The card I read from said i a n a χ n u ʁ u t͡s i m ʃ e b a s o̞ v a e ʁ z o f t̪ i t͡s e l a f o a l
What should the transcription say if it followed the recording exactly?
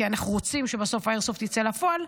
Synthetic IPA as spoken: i a n a χ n u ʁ o t͡s i m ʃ e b a s o̞ f a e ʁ s o f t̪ i t͡s e l a f o a l